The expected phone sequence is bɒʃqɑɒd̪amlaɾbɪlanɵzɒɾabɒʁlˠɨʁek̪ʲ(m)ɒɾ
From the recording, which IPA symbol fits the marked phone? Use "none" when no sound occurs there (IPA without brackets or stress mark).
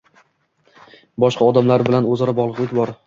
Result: b